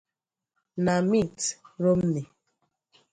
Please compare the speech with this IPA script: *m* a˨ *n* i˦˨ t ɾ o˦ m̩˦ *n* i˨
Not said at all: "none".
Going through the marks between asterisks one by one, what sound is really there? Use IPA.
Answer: n, m, n

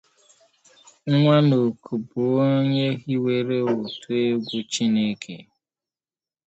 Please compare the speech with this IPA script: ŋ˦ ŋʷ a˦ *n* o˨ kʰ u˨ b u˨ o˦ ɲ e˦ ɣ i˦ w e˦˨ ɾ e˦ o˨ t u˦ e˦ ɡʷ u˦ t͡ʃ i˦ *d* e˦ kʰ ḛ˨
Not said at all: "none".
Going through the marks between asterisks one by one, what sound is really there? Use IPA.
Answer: n, n

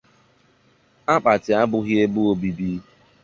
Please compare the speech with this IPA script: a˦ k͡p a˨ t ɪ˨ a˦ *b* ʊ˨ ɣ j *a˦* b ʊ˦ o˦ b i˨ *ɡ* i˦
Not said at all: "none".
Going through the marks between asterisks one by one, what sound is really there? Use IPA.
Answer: b, e˦, b

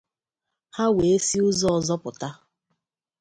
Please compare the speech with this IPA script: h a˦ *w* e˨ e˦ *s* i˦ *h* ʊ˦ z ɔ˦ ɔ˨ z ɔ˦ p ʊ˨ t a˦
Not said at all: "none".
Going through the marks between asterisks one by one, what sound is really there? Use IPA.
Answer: w, s, none

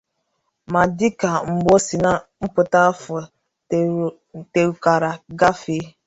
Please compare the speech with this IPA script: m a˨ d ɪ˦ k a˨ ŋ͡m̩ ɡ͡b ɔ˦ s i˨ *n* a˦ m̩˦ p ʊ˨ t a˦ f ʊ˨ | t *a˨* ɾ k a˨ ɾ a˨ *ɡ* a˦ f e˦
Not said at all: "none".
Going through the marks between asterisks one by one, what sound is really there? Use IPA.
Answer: n, e˨, ɡ

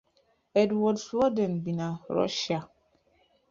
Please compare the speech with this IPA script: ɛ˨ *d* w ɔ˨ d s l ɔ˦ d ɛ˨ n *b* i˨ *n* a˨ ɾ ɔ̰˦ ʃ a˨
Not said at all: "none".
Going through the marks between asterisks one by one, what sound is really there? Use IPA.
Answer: d, b, n

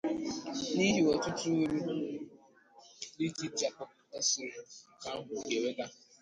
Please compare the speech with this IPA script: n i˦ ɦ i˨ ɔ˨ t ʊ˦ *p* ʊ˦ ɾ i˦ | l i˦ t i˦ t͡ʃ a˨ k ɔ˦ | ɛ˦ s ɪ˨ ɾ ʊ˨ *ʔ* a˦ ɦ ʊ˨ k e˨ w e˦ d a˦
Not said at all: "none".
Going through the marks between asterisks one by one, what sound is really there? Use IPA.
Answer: t, k

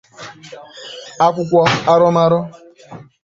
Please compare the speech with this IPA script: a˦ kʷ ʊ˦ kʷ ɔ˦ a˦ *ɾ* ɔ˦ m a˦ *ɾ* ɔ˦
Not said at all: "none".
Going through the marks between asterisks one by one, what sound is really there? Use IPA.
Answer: ɾ, ɾ

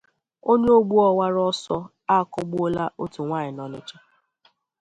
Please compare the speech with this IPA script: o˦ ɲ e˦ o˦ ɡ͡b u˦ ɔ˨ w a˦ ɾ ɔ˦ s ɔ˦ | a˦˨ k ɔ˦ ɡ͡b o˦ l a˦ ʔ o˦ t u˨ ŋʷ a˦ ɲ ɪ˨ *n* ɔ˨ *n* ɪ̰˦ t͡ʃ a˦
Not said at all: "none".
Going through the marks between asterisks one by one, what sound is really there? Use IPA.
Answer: n, n

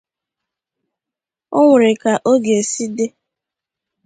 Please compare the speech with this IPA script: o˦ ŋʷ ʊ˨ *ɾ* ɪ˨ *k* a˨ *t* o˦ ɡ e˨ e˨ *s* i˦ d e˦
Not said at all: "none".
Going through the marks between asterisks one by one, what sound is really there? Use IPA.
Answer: ɾ, k, ʔ, s

